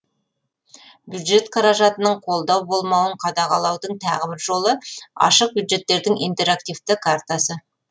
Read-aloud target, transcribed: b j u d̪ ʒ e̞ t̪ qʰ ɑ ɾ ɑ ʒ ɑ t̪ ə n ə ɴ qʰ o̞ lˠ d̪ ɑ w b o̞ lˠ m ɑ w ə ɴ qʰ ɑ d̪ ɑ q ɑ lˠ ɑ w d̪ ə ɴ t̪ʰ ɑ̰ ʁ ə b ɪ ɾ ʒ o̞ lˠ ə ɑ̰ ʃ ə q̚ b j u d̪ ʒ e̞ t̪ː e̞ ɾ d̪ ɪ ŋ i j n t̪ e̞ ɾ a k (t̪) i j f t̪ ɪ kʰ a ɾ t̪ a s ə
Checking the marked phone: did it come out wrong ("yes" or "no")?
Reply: no